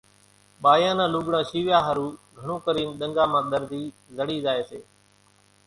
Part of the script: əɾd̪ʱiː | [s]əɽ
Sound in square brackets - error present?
yes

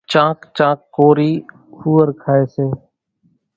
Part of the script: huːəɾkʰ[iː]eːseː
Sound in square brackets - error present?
yes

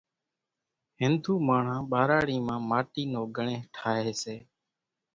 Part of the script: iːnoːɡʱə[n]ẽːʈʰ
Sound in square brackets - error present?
yes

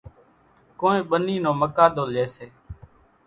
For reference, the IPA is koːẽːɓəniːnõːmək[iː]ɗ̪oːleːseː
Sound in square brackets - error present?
yes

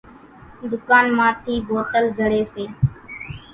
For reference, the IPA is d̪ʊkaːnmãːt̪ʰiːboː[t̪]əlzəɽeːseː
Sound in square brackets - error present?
no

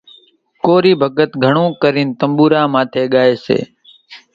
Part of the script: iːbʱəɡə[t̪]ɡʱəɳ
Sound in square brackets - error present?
no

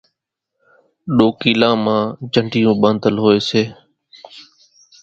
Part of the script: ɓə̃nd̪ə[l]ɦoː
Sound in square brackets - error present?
no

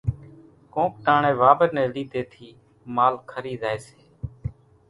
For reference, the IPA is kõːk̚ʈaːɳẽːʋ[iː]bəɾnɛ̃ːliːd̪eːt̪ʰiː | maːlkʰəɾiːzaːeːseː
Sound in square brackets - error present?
yes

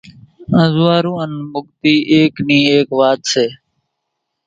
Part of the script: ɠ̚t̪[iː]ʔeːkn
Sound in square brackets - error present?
no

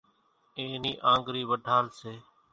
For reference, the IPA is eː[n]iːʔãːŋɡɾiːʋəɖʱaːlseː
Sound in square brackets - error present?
no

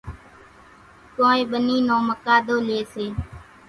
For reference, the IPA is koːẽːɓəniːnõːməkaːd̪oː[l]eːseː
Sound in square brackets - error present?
no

